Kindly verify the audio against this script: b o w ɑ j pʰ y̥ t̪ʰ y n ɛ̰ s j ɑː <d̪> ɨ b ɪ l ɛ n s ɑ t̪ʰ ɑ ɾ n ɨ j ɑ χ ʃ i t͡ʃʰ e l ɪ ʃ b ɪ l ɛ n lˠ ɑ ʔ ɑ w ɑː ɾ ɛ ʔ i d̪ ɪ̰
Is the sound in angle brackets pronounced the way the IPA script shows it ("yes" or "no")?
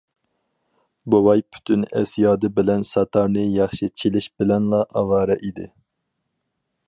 yes